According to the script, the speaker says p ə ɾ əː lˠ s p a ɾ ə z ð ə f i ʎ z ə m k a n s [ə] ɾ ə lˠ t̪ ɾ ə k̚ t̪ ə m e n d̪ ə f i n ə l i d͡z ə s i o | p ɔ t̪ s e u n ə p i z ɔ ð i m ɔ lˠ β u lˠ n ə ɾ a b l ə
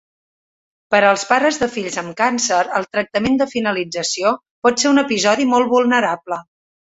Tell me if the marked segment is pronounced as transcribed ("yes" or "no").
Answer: yes